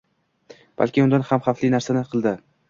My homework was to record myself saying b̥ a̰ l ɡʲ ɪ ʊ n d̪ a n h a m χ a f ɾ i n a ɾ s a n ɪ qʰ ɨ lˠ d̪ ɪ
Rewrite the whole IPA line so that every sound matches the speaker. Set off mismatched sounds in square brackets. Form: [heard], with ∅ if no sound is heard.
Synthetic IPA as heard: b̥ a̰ l [kʲ] ɪ ʊ n d̪ a n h a m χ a f [l] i n a ɾ s a n ɪ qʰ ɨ lˠ d̪ ɪ